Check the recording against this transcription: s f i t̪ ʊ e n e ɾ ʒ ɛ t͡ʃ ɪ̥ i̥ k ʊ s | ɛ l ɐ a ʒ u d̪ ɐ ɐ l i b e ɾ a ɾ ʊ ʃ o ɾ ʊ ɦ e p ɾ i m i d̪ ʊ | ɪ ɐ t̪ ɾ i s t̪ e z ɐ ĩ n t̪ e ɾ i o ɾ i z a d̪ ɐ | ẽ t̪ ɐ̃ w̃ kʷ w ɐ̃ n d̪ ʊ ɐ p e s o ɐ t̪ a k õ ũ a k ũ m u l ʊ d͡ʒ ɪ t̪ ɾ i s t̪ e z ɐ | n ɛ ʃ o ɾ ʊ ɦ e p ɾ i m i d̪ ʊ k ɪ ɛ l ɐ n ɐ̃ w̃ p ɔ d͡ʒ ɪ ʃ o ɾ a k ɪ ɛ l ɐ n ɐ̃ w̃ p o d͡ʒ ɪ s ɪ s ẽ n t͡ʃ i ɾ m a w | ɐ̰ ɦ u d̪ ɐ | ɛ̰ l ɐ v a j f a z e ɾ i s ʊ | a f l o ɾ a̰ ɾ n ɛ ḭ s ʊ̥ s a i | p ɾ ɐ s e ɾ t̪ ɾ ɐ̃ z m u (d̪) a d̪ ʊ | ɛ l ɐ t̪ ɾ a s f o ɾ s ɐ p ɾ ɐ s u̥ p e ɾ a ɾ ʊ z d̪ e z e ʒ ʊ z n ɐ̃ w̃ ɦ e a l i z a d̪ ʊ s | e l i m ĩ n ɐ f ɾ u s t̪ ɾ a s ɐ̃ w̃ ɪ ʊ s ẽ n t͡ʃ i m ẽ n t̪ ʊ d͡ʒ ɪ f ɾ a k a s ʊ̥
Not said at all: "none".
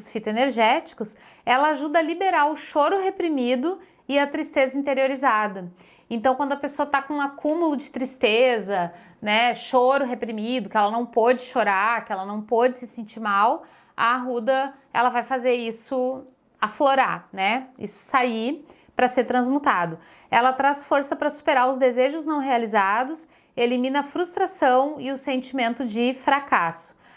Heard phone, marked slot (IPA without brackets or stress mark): t̪